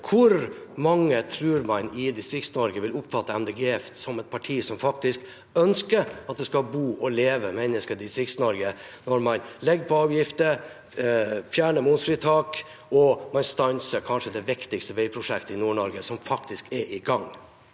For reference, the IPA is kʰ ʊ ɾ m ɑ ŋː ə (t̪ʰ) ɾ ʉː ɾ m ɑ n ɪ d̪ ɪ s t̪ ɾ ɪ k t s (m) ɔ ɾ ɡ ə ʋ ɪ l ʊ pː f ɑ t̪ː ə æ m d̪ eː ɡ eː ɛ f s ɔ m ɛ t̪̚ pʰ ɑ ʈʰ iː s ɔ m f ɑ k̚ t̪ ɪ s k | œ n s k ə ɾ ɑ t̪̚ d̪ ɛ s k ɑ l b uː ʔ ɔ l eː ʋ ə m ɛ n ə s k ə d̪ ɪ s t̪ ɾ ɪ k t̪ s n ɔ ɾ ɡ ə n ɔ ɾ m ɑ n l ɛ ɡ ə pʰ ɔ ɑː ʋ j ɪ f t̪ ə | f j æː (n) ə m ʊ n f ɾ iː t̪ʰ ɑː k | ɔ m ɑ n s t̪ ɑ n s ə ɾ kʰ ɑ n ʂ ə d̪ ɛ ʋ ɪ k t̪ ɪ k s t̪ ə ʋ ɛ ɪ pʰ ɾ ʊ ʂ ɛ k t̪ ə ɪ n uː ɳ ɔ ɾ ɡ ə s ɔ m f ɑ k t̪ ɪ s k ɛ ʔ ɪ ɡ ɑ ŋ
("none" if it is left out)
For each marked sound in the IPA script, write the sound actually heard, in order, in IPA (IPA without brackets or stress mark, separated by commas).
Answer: t̪ʰ, n, ɳ